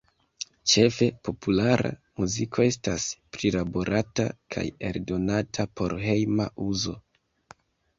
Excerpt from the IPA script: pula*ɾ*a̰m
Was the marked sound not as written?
no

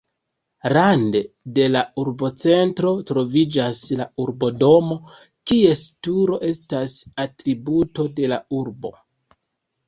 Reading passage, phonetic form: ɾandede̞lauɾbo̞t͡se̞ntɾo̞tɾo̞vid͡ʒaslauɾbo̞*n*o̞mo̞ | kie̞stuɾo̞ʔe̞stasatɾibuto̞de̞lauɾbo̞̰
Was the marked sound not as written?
yes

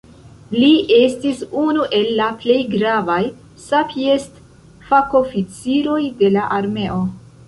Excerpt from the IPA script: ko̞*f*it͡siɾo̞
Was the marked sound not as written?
no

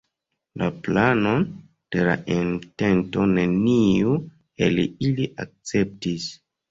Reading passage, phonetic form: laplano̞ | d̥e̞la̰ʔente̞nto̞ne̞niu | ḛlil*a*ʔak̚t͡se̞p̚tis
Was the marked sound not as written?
yes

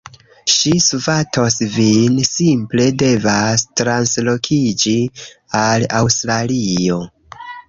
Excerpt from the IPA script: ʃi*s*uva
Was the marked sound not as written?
no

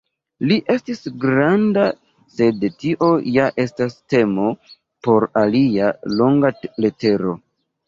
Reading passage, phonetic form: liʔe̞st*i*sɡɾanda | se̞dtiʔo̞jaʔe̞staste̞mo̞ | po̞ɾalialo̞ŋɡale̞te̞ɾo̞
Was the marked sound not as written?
no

